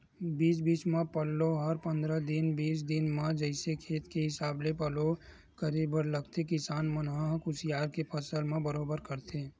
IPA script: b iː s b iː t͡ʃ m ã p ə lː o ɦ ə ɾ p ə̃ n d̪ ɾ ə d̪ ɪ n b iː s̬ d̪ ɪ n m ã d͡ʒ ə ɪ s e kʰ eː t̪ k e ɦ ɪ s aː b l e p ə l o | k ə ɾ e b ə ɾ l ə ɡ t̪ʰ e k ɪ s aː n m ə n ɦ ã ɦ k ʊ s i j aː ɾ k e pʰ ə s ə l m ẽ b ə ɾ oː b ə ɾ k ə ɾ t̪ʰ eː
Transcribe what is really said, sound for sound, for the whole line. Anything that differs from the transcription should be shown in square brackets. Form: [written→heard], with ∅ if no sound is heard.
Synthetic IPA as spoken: b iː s b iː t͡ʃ m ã p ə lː o ɦ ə ɾ p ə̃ n d̪ ɾ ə d̪ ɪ n b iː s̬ d̪ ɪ n m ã d͡ʒ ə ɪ s e kʰ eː t̪ k e ɦ ɪ s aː b l e p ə l o | k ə ɾ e b ə ɾ l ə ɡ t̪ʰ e k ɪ s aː n m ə n ɦ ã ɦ k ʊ s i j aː ɾ k e pʰ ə s ə l m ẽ b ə ɾ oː b ə ɾ k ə ɾ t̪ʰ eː